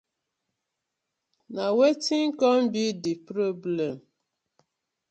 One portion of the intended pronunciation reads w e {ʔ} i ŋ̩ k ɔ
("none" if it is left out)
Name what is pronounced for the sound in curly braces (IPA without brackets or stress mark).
t